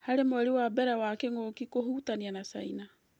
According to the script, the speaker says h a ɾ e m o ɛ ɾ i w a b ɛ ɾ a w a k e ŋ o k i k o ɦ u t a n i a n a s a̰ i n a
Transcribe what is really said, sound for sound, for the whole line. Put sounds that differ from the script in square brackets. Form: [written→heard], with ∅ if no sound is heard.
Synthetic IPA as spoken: h a ɾ e m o ɛ ɾ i w a b ɛ ɾ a w a k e ŋ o k i k o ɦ u t a n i a n a s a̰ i n a